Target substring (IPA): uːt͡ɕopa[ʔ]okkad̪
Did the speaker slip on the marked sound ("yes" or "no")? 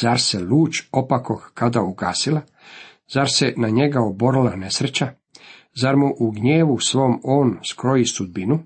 yes